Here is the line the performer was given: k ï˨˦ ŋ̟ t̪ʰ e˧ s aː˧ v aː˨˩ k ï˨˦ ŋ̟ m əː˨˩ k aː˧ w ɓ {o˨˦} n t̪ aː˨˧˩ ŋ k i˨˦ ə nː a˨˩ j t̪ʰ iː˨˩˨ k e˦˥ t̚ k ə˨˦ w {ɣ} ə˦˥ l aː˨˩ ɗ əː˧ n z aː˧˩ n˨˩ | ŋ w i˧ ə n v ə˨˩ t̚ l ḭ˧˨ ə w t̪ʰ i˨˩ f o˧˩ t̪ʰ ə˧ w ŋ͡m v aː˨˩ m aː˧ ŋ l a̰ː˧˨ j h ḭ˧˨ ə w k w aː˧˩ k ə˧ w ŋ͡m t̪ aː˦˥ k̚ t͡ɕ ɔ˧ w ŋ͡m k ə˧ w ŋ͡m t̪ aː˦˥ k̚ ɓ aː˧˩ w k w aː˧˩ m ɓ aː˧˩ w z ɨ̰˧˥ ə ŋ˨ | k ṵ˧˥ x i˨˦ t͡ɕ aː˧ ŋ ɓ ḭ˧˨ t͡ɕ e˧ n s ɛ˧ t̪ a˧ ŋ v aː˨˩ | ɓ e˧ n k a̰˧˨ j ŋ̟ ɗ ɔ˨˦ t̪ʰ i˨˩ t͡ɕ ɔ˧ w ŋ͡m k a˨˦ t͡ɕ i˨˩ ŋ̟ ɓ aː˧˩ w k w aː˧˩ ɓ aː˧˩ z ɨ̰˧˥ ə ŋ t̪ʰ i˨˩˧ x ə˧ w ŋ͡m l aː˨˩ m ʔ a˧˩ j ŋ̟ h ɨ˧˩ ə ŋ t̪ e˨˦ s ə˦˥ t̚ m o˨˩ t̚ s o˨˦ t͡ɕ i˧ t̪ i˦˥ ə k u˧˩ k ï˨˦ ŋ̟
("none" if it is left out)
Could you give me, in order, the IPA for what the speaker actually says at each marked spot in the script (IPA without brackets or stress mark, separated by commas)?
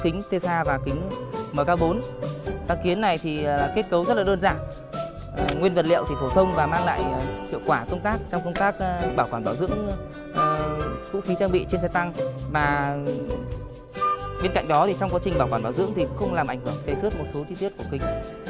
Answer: o˨˦, z